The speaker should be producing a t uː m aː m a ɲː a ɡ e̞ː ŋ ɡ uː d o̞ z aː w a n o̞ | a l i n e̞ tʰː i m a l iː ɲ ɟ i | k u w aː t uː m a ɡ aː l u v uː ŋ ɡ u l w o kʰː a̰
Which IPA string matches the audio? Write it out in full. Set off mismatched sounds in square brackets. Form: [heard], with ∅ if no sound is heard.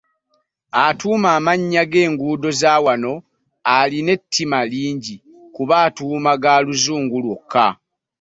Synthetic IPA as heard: a t uː m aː m a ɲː a ɡ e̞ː ŋ ɡ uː d o̞ z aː w a n o̞ | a l i n e̞ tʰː i m a l iː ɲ ɟ i | k u [β] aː t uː m a ɡ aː l u [z] uː ŋ ɡ u l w o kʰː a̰